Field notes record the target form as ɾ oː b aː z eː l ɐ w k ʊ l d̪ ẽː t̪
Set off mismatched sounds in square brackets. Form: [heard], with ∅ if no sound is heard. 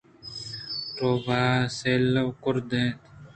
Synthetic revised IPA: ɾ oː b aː [s] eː l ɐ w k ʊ [ɾ] d̪ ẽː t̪